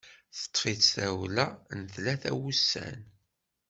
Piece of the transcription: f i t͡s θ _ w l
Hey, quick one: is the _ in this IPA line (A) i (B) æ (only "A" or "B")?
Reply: B